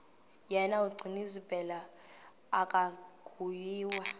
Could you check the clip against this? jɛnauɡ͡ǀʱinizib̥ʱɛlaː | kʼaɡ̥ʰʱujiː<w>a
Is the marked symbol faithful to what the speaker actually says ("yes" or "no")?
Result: yes